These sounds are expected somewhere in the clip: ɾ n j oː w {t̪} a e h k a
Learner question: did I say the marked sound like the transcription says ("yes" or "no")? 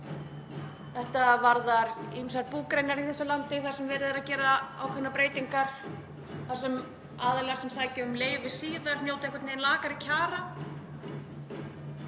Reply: yes